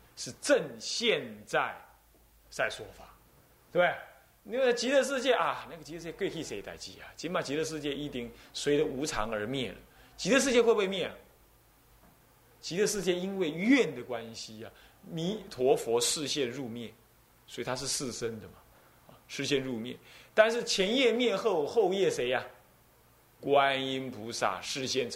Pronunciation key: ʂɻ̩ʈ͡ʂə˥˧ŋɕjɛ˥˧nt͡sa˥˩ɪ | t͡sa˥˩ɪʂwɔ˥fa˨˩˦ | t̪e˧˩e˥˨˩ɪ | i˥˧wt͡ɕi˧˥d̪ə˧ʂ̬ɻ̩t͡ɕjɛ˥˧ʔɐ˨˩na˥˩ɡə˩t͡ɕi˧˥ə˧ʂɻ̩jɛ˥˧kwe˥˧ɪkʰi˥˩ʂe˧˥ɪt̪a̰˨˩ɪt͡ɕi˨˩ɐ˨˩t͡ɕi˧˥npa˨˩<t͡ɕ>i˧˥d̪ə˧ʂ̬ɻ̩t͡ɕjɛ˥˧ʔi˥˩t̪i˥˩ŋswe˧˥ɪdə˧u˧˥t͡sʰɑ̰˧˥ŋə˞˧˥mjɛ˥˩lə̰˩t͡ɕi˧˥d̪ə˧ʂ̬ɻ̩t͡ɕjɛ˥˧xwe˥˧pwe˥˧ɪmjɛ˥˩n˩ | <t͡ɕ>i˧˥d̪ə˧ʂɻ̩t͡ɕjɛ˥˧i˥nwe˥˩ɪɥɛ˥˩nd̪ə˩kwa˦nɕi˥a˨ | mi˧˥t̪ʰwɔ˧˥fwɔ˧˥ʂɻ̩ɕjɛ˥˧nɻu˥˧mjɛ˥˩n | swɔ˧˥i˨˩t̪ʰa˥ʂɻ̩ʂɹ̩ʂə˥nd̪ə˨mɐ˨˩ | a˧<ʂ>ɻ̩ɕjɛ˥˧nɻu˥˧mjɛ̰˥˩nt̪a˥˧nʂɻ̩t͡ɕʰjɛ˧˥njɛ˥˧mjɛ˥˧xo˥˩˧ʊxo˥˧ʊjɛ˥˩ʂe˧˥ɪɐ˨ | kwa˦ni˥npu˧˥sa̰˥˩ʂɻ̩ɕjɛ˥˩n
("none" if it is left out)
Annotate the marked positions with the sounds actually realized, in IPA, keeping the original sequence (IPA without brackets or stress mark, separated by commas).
t͡ɕ, t͡ɕ, ʂ